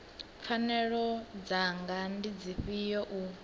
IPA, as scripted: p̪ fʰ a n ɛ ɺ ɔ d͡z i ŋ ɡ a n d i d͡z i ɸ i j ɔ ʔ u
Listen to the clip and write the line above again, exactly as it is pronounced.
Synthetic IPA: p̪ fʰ a n ɛ ɺ ɔ d͡z a ŋ ɡ a n d i d͡z i ɸ i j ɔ ʔ u

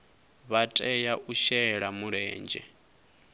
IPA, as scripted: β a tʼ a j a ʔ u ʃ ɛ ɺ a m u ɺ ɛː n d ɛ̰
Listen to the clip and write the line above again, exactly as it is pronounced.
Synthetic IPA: β a tʼ ɛ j a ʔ u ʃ ɛ ɺ a m u ɺ ɛː n d͡ʒ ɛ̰

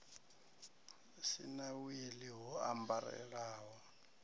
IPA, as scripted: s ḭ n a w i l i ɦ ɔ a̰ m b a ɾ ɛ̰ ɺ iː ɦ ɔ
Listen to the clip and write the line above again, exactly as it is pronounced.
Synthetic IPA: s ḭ n a w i l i ɦ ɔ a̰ m b a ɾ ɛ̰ ɺ aː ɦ ɔ

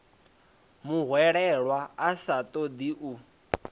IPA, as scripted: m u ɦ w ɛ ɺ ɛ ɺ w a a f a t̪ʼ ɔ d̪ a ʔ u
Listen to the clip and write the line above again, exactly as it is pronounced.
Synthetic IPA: m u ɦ w ɛ ɺ ɛ ɺ w a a s a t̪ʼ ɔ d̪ i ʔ u

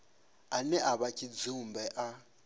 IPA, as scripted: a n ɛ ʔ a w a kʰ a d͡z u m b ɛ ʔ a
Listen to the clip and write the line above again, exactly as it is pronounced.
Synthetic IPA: a n ɛ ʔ a β a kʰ i d͡z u m b ɛ ʔ a

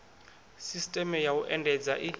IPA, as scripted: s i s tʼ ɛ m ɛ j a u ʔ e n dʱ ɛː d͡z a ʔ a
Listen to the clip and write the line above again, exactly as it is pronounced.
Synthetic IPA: s i s tʼ ɛ m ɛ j a u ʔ ɛ n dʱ ɛ d͡z a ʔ i

